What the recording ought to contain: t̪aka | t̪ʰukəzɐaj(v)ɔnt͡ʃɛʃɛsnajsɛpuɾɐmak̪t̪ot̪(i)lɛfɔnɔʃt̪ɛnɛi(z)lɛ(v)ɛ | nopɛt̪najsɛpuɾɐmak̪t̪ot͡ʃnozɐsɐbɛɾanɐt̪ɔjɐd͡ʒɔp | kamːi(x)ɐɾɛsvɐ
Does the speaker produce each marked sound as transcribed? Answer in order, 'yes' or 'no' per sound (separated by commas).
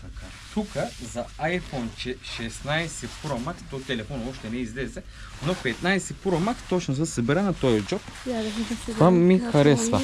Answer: no, no, yes, no, yes